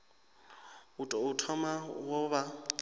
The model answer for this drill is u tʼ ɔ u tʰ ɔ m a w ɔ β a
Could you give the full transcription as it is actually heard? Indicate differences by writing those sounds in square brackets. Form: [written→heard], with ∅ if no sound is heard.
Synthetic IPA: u tʼ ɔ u tʰ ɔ m a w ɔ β a